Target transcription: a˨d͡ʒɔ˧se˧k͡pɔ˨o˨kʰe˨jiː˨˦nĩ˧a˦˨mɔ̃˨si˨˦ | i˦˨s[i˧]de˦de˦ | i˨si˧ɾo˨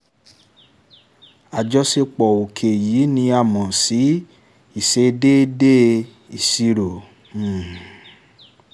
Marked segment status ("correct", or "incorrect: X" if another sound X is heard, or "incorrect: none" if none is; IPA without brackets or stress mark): incorrect: e˧